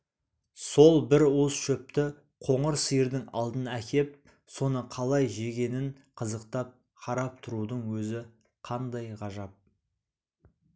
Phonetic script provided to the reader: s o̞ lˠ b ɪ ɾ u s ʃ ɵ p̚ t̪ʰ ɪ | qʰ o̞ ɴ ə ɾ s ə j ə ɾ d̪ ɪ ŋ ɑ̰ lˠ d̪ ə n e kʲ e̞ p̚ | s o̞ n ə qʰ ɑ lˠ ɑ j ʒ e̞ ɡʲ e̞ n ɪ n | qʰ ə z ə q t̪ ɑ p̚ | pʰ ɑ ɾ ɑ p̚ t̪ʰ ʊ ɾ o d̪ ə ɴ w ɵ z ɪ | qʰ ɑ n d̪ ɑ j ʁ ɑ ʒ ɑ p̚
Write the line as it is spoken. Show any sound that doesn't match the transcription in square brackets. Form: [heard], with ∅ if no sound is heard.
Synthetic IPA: s o̞ lˠ b ɪ ɾ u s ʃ ɵ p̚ [t̪] ɪ | qʰ o̞ ɴ ə ɾ s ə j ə ɾ d̪ ɪ ŋ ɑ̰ lˠ d̪ ə n [æ] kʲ e̞ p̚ | s o̞ n ə qʰ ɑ lˠ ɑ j ʒ e̞ ɡʲ e̞ n ɪ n | qʰ ə z ə q t̪ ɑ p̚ | [qʰ] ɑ ɾ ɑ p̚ t̪ʰ ʊ ɾ [u] d̪ ə ɴ w ɵ z ɪ | qʰ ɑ n d̪ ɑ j ʁ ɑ ʒ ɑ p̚